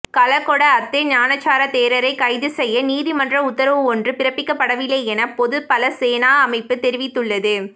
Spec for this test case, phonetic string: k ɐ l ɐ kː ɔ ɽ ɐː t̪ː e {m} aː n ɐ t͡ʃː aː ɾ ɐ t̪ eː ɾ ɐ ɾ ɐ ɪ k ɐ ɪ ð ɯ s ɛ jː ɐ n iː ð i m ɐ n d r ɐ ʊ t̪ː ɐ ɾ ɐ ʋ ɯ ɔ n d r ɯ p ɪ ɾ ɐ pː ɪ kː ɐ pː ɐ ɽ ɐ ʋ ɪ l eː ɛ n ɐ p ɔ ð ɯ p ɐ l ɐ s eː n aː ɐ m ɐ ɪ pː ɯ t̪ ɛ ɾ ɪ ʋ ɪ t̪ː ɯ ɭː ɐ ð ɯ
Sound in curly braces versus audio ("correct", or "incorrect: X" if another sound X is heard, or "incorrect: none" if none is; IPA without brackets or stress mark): incorrect: ɲ